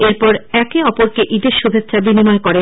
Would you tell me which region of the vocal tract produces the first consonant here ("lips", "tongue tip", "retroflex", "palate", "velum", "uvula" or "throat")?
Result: tongue tip